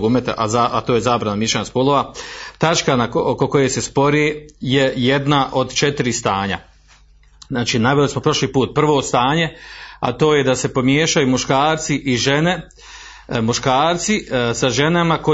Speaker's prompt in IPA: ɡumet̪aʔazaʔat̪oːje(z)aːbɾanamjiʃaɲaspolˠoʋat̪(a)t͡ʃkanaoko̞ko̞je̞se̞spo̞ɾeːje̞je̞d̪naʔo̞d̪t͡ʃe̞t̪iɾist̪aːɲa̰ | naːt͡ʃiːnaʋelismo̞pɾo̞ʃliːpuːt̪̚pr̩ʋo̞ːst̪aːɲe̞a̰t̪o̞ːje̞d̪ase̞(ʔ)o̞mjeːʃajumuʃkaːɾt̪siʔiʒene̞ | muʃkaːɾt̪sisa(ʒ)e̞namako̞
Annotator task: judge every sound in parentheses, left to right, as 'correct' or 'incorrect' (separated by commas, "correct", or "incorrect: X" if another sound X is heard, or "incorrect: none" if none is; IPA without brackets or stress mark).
correct, correct, incorrect: p, correct